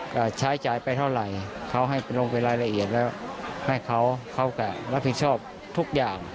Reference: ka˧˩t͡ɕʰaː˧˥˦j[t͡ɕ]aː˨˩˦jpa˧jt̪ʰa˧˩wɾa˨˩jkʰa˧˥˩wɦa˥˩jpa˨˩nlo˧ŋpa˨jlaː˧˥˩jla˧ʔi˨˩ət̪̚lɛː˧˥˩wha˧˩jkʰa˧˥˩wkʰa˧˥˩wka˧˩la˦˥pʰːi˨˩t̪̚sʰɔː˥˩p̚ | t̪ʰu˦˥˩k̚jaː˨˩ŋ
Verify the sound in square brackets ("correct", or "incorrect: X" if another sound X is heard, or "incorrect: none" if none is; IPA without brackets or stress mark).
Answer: correct